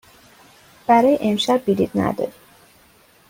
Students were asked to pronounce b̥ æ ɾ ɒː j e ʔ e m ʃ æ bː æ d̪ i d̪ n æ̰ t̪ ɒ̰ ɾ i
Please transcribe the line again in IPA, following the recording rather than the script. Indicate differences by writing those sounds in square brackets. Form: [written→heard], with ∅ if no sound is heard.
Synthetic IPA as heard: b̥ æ ɾ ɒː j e ʔ e m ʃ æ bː [æ→i] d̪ i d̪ n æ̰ [t̪→d̪] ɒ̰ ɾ i